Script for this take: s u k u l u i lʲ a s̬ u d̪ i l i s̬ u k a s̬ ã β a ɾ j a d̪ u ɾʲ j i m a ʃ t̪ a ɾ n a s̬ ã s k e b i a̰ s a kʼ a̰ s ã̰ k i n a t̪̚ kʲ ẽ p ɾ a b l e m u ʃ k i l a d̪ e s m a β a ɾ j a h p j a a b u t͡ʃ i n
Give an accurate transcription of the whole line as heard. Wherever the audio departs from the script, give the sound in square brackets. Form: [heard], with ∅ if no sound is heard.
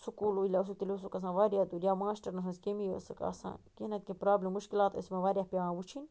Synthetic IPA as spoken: s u k u l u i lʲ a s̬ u [t̪] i l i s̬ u k a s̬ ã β a ɾ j a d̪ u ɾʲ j [a] m a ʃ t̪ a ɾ n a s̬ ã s k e [m] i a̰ s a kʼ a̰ s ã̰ k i n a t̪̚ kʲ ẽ p ɾ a b l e m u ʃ k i l a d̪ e s m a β a ɾ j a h p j a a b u t͡ʃ i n